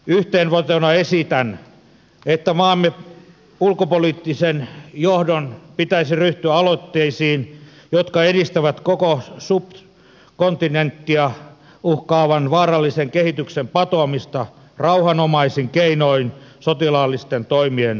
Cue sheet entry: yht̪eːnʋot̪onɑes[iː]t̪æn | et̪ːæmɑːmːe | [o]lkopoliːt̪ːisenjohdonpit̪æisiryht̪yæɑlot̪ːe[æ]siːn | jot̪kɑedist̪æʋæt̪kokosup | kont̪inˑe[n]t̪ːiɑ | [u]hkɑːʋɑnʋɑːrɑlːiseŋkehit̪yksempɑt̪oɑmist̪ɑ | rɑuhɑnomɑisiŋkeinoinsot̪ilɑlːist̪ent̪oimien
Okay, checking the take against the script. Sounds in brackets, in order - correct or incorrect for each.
incorrect, incorrect, incorrect, correct, correct

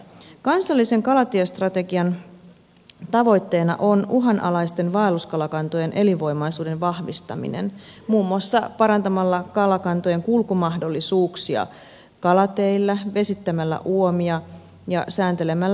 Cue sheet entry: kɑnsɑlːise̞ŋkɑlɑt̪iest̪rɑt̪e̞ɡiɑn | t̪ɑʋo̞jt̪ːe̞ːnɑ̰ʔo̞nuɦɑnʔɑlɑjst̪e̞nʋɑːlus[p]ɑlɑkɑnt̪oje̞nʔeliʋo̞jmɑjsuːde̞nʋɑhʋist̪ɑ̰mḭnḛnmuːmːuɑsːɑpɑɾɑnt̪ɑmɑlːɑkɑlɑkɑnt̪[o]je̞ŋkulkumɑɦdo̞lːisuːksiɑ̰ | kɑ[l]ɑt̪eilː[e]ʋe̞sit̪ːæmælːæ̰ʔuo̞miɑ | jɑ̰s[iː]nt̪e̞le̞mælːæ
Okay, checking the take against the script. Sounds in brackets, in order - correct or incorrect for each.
incorrect, correct, correct, incorrect, incorrect

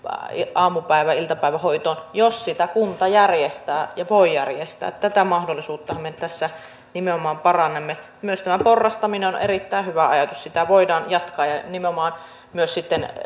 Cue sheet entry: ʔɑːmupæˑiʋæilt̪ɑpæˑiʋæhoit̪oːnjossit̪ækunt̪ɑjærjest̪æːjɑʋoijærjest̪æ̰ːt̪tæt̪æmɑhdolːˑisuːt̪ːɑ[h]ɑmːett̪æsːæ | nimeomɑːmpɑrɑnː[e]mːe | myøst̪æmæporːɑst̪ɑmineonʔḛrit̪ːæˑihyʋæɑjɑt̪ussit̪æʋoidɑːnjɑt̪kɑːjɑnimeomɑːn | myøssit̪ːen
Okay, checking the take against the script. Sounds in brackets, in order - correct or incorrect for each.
correct, correct

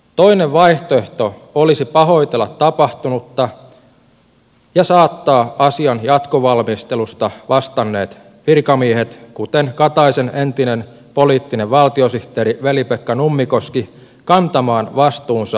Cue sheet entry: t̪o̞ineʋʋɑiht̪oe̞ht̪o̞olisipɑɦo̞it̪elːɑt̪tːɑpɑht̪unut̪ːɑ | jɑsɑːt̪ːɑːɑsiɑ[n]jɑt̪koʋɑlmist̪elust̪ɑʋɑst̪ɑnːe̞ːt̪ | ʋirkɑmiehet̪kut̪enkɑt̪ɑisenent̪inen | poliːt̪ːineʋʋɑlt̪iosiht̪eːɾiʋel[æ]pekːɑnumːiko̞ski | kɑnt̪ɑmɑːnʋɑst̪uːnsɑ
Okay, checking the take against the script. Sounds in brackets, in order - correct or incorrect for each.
correct, incorrect

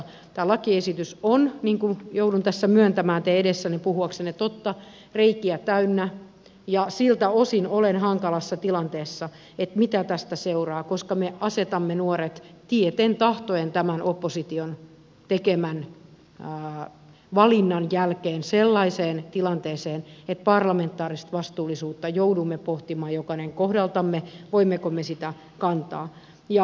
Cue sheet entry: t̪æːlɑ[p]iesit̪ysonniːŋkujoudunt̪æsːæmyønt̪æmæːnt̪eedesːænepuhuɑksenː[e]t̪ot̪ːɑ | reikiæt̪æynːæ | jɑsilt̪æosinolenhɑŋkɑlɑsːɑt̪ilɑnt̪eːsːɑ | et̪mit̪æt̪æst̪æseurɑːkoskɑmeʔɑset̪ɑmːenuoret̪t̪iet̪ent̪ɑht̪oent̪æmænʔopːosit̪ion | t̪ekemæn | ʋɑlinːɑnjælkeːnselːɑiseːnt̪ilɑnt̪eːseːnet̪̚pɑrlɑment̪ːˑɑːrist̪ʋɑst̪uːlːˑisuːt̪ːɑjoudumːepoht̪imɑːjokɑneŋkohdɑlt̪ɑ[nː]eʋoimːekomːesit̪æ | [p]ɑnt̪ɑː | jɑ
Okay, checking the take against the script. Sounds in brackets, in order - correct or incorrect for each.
incorrect, correct, incorrect, incorrect

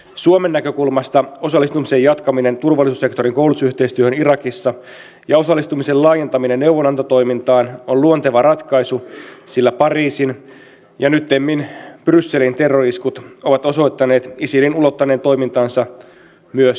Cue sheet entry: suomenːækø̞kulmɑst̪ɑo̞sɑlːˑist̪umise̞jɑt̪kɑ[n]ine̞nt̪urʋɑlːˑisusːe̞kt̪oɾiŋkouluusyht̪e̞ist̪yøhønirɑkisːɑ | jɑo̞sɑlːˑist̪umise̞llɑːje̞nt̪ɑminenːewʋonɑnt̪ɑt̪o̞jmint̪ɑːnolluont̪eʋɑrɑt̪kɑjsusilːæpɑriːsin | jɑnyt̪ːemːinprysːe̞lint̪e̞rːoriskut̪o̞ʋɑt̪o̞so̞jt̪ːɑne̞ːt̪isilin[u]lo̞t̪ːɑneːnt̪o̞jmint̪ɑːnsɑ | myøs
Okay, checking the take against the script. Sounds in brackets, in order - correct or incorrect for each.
incorrect, correct

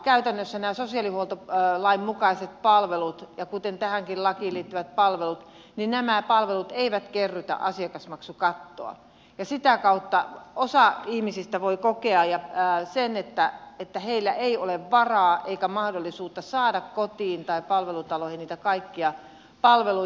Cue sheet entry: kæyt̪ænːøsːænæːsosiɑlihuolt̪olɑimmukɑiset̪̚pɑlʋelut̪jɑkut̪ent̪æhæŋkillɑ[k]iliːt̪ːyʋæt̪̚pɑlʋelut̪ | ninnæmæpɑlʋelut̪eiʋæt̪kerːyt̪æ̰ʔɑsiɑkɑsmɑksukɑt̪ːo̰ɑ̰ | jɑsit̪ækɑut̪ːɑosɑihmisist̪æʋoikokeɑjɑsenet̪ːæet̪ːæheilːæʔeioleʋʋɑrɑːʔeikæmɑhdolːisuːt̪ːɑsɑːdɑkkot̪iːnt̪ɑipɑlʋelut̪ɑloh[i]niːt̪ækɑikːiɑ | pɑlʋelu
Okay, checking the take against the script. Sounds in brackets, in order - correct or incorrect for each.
correct, correct

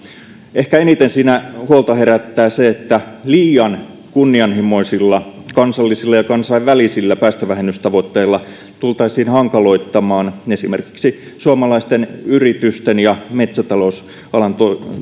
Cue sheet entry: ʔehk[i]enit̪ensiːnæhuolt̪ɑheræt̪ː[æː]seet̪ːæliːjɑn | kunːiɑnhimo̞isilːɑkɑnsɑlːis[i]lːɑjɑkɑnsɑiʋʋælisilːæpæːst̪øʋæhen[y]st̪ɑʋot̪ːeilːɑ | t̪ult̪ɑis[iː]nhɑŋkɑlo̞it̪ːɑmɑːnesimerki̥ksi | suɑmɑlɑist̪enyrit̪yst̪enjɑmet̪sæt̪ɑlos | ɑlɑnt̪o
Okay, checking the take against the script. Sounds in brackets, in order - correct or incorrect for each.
incorrect, correct, correct, correct, correct

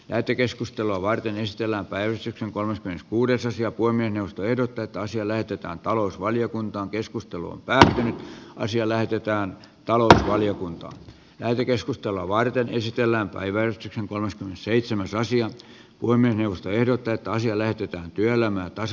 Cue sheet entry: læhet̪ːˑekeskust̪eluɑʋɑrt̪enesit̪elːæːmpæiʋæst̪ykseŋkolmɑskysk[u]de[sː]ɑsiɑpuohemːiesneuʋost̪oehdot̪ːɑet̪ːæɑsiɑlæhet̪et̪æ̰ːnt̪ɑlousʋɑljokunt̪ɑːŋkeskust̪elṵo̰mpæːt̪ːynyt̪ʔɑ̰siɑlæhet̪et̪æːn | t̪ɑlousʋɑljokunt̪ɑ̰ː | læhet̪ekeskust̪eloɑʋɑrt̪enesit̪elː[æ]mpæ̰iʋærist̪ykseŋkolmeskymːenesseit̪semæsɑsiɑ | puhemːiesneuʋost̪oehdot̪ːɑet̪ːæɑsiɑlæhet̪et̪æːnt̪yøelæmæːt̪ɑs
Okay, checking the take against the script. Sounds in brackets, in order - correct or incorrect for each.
incorrect, incorrect, incorrect

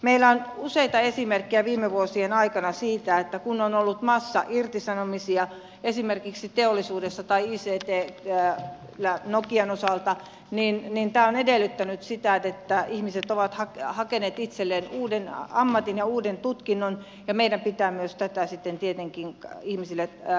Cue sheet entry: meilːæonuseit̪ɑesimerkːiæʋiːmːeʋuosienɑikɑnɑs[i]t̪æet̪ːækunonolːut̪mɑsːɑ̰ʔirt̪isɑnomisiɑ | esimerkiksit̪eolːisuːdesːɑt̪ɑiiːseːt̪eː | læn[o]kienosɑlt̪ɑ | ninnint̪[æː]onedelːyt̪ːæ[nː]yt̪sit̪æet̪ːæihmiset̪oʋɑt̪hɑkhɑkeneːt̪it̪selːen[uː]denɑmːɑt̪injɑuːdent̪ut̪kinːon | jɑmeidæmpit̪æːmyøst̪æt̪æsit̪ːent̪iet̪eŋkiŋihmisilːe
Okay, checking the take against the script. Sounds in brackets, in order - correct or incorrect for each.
incorrect, correct, correct, incorrect, correct

